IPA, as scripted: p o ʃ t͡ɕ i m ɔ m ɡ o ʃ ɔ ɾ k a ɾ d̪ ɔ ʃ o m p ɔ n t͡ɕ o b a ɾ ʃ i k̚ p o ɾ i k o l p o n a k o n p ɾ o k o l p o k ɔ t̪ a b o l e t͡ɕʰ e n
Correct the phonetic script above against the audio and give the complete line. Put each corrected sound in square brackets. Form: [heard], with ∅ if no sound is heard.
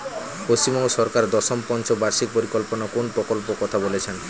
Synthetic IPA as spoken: p o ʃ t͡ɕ i m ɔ [ŋ] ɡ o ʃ ɔ ɾ k a ɾ d̪ ɔ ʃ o m p ɔ n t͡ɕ o b a ɾ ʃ i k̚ p o ɾ i k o l p o n a k o n p ɾ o k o l p o k ɔ [t̪ʰ] a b o l e t͡ɕʰ e n